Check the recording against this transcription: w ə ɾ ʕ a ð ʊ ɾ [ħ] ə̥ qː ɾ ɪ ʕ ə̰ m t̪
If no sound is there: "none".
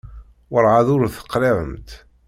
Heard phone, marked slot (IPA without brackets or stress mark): θ